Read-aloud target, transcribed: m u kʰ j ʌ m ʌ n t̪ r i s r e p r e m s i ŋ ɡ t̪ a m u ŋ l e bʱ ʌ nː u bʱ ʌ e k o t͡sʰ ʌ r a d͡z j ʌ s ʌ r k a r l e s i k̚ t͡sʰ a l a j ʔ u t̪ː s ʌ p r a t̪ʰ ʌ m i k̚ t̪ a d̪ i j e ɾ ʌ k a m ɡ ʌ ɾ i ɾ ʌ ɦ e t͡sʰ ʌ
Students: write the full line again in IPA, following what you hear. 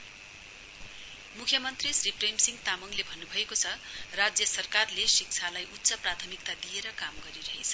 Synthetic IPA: m u kʰ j ʌ m ʌ n t̪ r i s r i p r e m s i ŋ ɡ t̪ a m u ŋ l e bʱ ʌ nː u bʱ ʌ e k o t͡sʰ ʌ r a d͡z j ʌ s ʌ r k a r l e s i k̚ t͡sʰ a l a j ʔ u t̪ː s ʌ p r a t̪ʰ ʌ m i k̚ t̪ a d̪ i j e ɾ ʌ k a m ɡ ʌ ɾ i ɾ ʌ ɦ e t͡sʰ ʌ

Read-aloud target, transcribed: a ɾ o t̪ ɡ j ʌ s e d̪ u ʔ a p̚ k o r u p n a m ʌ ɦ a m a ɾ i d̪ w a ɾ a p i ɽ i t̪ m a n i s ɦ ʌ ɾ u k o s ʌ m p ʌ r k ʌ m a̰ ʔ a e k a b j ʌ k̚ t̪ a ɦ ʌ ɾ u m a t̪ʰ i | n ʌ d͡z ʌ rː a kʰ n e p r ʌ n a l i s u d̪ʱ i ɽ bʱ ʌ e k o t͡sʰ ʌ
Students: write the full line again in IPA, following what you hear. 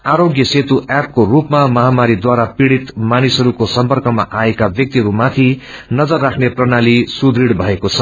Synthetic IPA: a ɾ o ɡ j ʌ s e t̪ u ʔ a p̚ k o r u p m a m ʌ ɦ a m a ɾ i d̪ w a ɾ a p i ɽ i t̪ m a n i s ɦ ʌ ɾ u k o s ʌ m p ʌ r k ʌ m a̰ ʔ a e k a b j ʌ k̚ t̪ i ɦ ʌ ɾ u m a t̪ʰ i | n ʌ d͡z ʌ rː a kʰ n e p r ʌ n a l i s u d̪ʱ i ɽ bʱ ʌ e k o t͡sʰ ʌ

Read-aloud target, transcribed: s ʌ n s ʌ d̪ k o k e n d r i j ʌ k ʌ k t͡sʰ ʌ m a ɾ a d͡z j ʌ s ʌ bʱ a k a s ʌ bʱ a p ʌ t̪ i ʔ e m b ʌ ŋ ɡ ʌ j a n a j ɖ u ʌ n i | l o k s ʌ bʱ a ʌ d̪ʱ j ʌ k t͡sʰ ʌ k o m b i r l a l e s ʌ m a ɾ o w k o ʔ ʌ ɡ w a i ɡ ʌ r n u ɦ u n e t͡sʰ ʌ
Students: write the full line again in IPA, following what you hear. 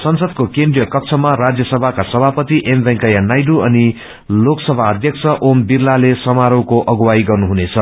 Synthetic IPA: s ʌ n s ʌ d̪ k o k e n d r i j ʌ k ʌ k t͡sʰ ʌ m a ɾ a d͡z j ʌ s ʌ bʱ a k a s ʌ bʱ a p ʌ t̪ i ʔ e m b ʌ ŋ k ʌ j a n a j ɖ u ʌ n i | l o k s ʌ bʱ a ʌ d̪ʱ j ʌ k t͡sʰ ʌ ʔ o m b i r l a l e s ʌ m a ɾ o w k o ʔ ʌ ɡ w a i ɡ ʌ r n u ɦ u n e t͡sʰ ʌ

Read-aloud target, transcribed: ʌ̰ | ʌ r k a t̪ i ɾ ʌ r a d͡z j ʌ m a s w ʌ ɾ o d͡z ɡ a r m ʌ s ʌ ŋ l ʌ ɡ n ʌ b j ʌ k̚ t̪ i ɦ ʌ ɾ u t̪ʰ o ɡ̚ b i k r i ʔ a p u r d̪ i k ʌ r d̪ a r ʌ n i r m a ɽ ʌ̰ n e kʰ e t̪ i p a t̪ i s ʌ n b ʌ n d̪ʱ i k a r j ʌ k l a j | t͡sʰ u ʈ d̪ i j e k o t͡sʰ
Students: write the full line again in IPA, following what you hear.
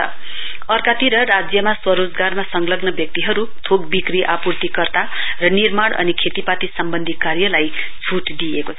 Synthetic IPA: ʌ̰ | ʌ r k a t̪ i ɾ ʌ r a d͡z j ʌ m a s w ʌ ɾ o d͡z ɡ a r m a s ʌ ŋ l ʌ ɡ n ʌ b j ʌ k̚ t̪ i ɦ ʌ ɾ u t̪ʰ o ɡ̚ b i k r i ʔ a p u r t̪ i k ʌ r t̪ a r ʌ n i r m a ɽ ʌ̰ n i kʰ e t̪ i p a t̪ i s ʌ m b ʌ n d̪ʱ i k a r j ʌ l a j | t͡sʰ u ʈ d̪ i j e k o t͡sʰ

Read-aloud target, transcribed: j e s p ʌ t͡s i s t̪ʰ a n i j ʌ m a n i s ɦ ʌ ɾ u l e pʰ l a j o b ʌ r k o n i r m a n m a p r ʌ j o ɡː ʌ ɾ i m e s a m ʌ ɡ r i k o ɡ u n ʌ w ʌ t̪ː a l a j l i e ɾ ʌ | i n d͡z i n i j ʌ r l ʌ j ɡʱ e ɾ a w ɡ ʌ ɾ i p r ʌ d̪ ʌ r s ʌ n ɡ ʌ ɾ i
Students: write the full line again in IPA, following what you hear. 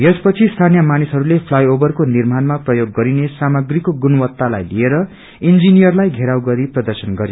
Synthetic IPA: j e s p ʌ t͡sʰ i s t̪ʰ a n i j ʌ m a n i s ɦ ʌ ɾ u l e pʰ l a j o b ʌ r k o n i r m a n m a p r ʌ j o ɡː ʌ ɾ i n e s a m ʌ ɡ r i k o ɡ u n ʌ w ʌ t̪ː a l a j l i e ɾ ʌ | i n d͡z i n i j ʌ r l a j ɡʱ e ɾ a w ɡ ʌ ɾ i p r ʌ d̪ ʌ r s ʌ n ɡ ʌ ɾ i

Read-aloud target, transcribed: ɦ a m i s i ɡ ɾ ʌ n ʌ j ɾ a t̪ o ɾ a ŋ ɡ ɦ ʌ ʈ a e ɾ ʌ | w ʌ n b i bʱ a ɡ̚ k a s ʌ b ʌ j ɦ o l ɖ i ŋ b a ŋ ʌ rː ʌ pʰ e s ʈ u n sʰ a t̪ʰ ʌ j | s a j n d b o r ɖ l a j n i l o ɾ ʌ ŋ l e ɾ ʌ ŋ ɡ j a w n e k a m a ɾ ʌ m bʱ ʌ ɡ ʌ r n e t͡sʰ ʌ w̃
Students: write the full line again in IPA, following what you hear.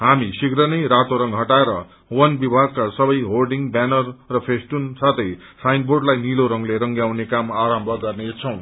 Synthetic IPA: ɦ a m i s i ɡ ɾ ʌ n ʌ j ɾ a t̪ o ɾ ʌ ŋ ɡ ɦ ʌ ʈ a e ɾ ʌ | w ʌ n b i bʱ a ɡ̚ k a s ʌ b ʌ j ɦ o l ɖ i ŋ b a n ʌ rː ʌ pʰ e s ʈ u n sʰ a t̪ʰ ʌ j | s a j n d b o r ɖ l a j n i l o ɾ ʌ ŋ l e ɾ ʌ ŋ ɡ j a w n e k a m a ɾ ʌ m bʱ ʌ ɡ ʌ r n e t͡sʰ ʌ w̃

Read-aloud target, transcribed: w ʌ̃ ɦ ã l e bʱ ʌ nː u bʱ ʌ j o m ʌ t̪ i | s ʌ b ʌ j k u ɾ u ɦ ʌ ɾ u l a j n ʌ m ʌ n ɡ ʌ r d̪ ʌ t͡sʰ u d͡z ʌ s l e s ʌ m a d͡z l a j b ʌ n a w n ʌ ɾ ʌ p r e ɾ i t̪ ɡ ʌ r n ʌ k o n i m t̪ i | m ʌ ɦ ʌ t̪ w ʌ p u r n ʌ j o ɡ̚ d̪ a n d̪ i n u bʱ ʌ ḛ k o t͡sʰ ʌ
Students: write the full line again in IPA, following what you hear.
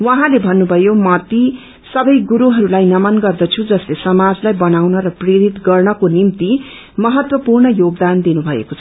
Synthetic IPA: w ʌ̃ ɦ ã l e bʱ ʌ nː u bʱ ʌ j o m ʌ t̪ i | s ʌ b ʌ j ɡ u ɾ u ɦ ʌ ɾ u l a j n ʌ m ʌ n ɡ ʌ r d̪ ʌ t͡sʰ u d͡z ʌ s l e s ʌ m a d͡z l a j b ʌ n a w n ʌ ɾ ʌ p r e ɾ i t̪ ɡ ʌ r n ʌ k o n i m t̪ i | m ʌ ɦ ʌ t̪ w ʌ p u r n ʌ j o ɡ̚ d̪ a n d̪ i n u bʱ ʌ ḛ k o t͡sʰ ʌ

